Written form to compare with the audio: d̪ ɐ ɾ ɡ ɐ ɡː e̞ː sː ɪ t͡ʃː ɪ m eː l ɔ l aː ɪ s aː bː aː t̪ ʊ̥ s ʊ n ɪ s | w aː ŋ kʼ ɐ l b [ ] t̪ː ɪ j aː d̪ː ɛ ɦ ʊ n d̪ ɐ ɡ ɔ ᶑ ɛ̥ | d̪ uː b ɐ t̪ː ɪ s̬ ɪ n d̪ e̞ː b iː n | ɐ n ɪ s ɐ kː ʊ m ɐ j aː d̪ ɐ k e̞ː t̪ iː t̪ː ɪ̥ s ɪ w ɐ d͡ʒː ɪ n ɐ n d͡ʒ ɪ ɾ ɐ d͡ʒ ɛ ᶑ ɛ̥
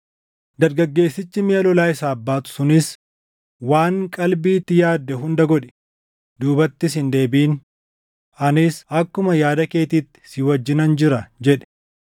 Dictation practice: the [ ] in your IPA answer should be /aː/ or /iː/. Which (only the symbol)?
iː